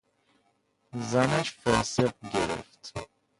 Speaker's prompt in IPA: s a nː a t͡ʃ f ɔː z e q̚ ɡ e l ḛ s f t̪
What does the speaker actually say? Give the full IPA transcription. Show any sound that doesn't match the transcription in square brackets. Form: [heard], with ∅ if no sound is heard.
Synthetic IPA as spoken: [z] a [n] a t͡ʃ f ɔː [s] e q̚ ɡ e [ɾ] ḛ [∅] f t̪